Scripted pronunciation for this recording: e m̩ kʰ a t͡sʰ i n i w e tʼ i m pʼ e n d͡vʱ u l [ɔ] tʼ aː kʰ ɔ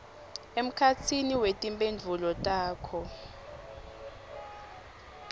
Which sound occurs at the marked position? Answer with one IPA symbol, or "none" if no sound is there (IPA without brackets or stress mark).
ɔ